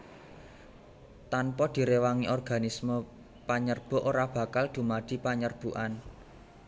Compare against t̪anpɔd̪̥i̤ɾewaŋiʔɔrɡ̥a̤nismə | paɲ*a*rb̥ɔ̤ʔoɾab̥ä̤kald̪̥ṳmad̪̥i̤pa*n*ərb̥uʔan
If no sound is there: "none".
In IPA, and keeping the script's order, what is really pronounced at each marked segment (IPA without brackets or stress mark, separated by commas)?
ə, ɲ